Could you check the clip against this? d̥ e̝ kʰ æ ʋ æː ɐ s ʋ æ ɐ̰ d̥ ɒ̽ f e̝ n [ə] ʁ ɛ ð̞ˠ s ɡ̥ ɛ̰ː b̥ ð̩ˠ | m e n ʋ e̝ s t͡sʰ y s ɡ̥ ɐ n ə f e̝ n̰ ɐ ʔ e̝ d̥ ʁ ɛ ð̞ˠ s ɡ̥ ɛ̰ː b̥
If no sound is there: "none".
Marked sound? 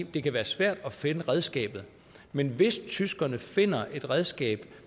ə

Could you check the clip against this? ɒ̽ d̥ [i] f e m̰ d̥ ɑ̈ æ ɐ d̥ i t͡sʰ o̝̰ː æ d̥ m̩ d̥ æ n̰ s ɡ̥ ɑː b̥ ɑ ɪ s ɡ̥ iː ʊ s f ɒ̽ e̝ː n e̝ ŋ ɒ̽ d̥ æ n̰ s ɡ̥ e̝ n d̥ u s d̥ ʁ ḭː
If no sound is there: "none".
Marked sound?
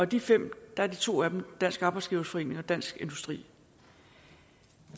i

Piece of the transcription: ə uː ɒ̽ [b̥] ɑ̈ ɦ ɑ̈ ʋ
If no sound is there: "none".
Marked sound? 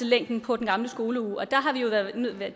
d̥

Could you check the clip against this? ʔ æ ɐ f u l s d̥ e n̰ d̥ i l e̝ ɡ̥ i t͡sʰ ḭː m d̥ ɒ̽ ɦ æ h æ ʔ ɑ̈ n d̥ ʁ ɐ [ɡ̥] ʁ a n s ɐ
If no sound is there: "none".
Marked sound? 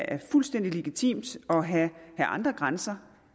ɡ̥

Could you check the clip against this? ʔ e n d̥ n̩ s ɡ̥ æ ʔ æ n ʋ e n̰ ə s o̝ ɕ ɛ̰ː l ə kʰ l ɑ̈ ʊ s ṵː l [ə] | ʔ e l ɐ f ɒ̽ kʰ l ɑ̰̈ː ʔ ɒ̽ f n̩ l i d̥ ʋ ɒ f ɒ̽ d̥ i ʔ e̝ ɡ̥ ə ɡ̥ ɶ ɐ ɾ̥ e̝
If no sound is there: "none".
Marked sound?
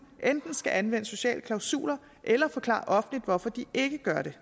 ɐ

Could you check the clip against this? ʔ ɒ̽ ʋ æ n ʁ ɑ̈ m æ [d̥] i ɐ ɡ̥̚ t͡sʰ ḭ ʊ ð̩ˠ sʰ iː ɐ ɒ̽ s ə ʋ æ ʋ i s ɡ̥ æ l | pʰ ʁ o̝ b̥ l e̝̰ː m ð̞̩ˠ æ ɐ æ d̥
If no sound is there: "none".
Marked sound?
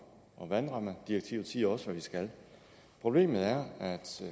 d̥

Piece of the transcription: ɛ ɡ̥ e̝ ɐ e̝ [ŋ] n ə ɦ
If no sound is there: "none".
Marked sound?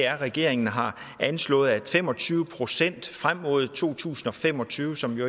ŋ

